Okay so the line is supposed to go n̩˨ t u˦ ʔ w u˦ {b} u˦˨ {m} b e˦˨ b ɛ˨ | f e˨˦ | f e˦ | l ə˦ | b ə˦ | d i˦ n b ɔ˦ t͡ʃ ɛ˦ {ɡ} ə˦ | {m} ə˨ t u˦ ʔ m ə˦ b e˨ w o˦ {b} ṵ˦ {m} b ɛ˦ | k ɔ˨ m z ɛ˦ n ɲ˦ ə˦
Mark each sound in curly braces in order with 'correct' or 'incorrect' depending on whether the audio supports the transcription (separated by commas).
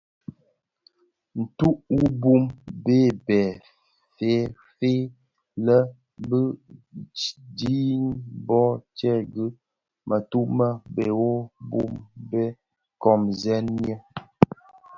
correct, correct, correct, correct, correct, correct